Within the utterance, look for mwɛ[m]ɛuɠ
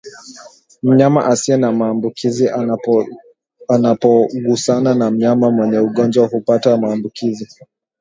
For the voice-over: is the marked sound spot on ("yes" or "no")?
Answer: no